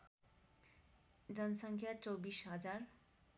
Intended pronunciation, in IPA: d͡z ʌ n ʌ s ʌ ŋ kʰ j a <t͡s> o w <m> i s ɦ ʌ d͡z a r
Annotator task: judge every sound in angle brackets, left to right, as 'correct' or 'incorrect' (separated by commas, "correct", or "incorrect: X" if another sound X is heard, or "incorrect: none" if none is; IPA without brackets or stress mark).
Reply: correct, incorrect: b